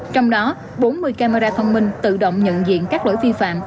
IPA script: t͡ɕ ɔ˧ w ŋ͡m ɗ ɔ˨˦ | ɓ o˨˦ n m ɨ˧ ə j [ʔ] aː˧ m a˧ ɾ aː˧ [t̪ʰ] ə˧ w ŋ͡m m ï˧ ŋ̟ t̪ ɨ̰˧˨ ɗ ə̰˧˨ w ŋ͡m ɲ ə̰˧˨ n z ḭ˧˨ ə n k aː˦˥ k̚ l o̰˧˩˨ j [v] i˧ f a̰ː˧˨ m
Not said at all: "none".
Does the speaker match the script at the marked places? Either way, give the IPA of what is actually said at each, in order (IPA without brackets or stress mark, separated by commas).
k, t̪ʰ, v